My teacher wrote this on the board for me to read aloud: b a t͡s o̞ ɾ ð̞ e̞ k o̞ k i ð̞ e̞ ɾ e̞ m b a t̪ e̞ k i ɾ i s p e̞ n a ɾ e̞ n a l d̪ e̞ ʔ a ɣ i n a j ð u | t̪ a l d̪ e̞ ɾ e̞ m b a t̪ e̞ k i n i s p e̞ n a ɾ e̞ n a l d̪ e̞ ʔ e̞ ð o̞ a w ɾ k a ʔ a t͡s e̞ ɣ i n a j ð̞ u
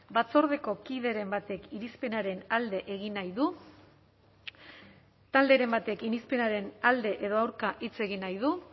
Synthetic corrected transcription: b a t͡s o̞ ɾ ð̞ e̞ k o̞ k i ð̞ e̞ ɾ e̞ m b a t̪ e̞ k i ɾ i s p e̞ n a ɾ e̞ n a l d̪ e̞ ʔ e ɣ i n a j ð u | t̪ a l d̪ e̞ ɾ e̞ m b a t̪ e̞ k i n i s p e̞ n a ɾ e̞ n a l d̪ e̞ ʔ e̞ ð o̞ a w ɾ k a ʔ i t͡s e̞ ɣ i n a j ð̞ u